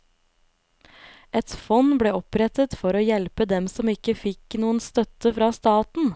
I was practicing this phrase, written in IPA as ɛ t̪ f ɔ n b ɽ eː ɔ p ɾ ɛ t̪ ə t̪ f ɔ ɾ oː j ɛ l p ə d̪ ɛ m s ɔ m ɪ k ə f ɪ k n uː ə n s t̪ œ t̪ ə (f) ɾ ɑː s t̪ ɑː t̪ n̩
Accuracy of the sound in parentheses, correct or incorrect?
correct